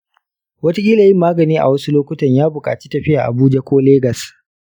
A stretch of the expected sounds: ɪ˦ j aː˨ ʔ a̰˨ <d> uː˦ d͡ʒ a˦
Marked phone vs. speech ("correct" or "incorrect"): incorrect